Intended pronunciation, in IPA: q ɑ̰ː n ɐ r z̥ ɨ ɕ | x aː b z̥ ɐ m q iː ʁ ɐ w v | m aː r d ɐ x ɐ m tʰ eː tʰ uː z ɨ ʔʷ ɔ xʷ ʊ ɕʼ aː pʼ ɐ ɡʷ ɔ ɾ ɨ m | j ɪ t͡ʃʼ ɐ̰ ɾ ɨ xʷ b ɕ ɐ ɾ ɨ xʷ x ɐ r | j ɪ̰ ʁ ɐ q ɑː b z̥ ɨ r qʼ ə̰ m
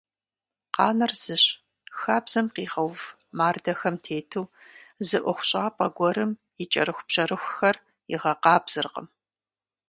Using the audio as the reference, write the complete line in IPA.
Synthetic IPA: q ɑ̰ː n ɐ r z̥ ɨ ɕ | x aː b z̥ ɐ m q iː ʁ ɐ w v | m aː r d ɐ x ɐ m tʰ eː tʰ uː z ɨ ʔʷ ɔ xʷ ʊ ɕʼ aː pʼ ɐ ɡʷ ɔ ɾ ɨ m | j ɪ t͡ʃʼ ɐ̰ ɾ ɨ xʷ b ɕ ɐ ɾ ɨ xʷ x ɐ r | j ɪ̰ ʁ ɐ q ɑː b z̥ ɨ r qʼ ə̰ m